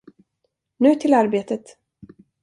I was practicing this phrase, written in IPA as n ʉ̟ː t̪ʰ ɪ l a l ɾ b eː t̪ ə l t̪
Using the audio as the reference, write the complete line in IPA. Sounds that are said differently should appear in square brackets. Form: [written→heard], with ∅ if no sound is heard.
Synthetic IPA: n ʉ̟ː t̪ʰ ɪ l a [l→∅] ɾ b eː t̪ ə [l→∅] t̪